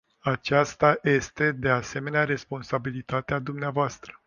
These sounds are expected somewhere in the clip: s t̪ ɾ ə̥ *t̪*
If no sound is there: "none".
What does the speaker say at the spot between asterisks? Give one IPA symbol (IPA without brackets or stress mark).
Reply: none